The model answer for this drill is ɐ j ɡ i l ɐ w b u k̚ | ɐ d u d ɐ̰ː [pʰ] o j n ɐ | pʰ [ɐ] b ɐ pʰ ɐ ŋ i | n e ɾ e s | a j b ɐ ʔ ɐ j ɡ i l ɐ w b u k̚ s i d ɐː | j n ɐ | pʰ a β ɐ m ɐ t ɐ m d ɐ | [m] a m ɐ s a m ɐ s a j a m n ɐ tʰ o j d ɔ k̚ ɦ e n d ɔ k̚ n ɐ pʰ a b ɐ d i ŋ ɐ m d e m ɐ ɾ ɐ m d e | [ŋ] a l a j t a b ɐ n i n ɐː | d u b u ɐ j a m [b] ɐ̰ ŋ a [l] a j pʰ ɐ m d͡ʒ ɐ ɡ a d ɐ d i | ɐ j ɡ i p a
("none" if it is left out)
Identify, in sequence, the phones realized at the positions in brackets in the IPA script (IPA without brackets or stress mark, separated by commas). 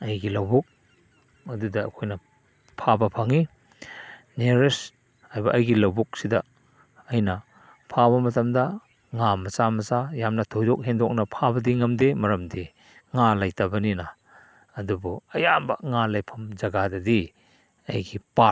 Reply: kʰ, a, ŋ, ŋ, b, l